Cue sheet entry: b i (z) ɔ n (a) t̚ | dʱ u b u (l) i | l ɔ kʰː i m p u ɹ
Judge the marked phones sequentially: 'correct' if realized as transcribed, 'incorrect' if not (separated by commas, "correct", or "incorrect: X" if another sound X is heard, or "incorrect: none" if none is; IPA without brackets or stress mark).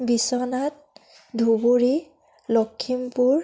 incorrect: s, correct, incorrect: ɹ